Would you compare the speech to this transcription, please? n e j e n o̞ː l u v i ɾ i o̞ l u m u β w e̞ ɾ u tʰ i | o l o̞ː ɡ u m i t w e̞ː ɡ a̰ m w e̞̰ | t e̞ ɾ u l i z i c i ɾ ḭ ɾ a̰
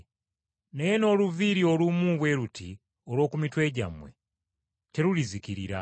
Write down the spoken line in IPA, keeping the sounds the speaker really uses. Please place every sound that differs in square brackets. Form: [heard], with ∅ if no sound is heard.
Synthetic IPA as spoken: n e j e n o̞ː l u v i ɾ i o̞ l u m u β w e̞ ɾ u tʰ i | o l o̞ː [k] u m i t w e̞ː [ɟ] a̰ m w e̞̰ | t e̞ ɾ u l i z i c i ɾ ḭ ɾ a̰

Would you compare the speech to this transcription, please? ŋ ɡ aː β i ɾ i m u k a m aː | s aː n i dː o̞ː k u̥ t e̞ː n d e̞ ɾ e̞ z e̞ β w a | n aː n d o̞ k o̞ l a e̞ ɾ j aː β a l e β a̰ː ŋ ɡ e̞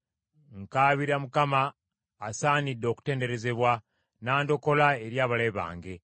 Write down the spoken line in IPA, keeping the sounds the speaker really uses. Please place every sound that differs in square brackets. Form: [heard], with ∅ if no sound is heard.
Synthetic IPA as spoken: ŋ [k] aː β i ɾ [a] m u k a m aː | s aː n i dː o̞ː k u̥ t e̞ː n d e̞ ɾ e̞ z e̞ β w a | n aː n d o̞ k o̞ l a e̞ ɾ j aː β a l e β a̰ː ŋ ɡ e̞

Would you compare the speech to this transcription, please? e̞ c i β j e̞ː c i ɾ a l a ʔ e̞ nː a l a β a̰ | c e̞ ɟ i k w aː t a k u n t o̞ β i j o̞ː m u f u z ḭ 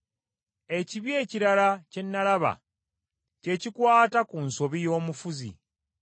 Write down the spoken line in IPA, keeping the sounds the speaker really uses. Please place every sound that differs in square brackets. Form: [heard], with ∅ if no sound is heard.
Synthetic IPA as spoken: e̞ c i β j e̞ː c i ɾ a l a [c] e̞ nː a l a β a̰ | c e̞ [c] i k w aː t a k u n [s] o̞ β i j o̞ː m u f u z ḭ

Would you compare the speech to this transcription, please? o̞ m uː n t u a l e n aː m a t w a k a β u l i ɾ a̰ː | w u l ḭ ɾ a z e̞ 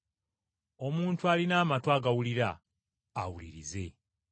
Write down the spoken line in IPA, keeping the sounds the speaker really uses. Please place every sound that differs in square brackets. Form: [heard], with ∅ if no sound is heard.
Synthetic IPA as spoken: o̞ m uː n t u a l [i] n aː m a t w a [ɡ] a [w] u l i ɾ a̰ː | w u l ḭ ɾ [i] z e̞

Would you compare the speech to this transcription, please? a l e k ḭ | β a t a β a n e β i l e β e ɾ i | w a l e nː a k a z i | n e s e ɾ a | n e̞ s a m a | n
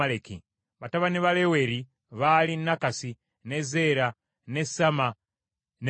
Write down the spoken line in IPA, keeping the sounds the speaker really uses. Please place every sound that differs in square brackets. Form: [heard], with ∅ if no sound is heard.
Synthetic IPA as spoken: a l e k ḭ | β a t a β a n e β [a] l e [w] e ɾ i | [β] a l [i] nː a k a [s] i | n e [z] e ɾ a | n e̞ s a m a | n

